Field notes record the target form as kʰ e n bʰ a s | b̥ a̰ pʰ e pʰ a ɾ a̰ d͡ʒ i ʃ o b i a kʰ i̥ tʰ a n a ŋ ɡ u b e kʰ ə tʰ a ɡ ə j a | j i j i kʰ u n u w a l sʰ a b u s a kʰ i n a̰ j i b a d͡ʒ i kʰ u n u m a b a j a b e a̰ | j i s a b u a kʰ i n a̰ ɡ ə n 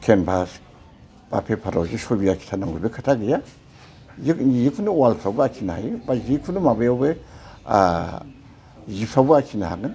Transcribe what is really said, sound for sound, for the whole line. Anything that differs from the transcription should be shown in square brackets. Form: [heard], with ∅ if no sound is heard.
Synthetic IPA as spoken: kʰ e n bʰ a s | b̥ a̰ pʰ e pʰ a ɾ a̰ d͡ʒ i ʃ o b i a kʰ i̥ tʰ a n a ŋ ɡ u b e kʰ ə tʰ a ɡ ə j a | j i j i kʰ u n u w a l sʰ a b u [∅] a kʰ i n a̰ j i b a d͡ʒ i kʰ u n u m a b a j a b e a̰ | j i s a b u a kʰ i n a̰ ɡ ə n